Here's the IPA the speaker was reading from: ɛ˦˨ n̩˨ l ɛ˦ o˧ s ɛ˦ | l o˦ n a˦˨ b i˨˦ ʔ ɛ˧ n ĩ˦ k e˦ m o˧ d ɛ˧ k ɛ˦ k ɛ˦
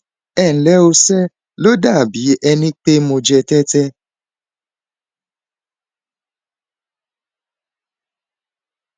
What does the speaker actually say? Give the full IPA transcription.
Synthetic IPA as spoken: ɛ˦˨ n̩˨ l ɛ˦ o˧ s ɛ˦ | l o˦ d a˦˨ b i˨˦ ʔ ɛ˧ n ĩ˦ k͡p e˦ m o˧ d͡ʒ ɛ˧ t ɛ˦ t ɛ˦